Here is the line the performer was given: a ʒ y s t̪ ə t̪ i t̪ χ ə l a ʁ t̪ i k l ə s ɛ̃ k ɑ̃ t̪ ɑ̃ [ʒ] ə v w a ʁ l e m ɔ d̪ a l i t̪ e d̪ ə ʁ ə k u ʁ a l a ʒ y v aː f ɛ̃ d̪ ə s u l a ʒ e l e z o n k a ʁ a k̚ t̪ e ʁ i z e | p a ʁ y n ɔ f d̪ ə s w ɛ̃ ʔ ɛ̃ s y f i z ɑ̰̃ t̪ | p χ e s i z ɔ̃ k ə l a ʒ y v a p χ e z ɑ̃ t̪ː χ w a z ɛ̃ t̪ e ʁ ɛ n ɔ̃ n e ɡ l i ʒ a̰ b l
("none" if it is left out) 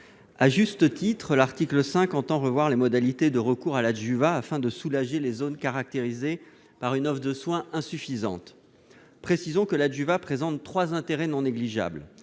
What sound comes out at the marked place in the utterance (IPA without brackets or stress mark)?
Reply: ʁ